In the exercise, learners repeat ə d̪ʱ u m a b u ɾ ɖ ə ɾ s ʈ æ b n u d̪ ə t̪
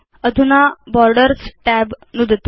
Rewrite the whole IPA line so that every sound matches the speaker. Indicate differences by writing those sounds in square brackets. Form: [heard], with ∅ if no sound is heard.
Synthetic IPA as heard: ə d̪ʱ u [n] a b [ɔ] ɾ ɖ ə ɾ s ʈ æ b n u d̪ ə t̪